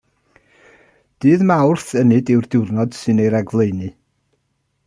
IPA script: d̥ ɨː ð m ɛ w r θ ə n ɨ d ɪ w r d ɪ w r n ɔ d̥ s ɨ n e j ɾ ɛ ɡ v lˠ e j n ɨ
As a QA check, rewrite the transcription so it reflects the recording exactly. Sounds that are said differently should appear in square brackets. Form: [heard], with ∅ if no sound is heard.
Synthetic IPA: d̥ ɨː ð m [a] w r θ ə n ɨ d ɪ w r d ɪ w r n ɔ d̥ s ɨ n e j ɾ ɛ ɡ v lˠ e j n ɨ